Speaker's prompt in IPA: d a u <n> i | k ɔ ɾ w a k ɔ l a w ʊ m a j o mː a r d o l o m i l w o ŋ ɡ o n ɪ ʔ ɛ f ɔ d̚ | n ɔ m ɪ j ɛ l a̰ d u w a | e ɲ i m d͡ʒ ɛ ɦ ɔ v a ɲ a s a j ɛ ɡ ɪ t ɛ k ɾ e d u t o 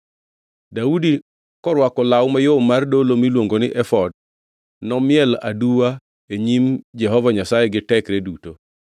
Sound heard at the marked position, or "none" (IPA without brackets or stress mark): d